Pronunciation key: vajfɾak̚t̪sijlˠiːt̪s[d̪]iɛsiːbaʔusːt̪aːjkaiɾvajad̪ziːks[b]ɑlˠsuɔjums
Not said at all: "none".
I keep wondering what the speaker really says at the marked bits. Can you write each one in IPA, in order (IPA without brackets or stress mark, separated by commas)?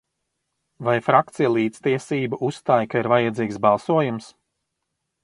t̪, b